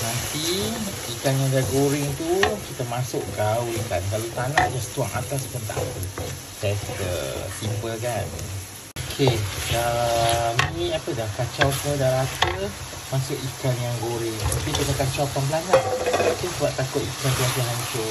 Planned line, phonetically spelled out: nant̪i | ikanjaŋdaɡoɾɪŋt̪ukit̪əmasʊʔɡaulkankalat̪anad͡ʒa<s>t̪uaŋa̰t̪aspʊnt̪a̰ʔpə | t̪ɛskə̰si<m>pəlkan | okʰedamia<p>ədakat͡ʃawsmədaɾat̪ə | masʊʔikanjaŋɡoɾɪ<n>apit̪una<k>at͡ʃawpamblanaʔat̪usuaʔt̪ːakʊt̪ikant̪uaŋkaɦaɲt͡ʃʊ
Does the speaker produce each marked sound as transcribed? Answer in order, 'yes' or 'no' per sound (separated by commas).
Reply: yes, yes, yes, no, yes